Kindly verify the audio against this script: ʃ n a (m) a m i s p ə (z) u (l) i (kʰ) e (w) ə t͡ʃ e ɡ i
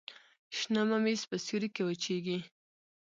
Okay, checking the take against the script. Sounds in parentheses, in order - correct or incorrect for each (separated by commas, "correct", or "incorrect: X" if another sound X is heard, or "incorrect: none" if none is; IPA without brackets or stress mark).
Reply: correct, incorrect: s, incorrect: ɾ, incorrect: k, correct